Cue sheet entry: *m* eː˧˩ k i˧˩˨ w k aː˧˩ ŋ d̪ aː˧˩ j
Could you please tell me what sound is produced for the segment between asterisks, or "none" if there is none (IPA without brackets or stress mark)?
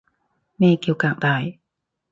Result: m